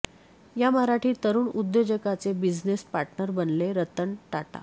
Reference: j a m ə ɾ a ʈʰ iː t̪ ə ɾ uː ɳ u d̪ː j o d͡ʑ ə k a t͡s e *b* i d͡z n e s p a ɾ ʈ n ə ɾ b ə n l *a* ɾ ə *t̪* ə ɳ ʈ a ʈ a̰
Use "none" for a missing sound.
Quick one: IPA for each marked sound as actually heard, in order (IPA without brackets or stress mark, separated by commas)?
b, e, t̪